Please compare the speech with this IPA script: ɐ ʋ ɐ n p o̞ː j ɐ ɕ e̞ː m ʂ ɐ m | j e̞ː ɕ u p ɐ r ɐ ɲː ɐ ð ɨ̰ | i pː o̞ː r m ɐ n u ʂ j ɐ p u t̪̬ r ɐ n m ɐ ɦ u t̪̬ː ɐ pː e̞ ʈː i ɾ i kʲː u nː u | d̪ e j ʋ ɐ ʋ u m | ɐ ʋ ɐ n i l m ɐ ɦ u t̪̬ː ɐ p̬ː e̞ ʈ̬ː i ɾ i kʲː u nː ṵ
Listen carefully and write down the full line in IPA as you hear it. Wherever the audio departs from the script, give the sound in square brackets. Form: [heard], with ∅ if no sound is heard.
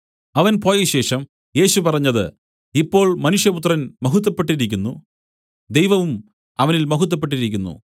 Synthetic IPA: ɐ ʋ ɐ n p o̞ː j ɐ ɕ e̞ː [∅] ʂ ɐ m | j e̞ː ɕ u p ɐ r ɐ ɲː ɐ ð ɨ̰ | i pː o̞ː [ɭ] m ɐ n u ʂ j ɐ p u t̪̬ r ɐ n m ɐ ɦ u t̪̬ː ɐ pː e̞ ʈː i ɾ i kʲː u nː u | d̪ e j ʋ ɐ ʋ u m | ɐ ʋ ɐ n i l m ɐ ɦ u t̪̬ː ɐ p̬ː e̞ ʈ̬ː i ɾ i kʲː u nː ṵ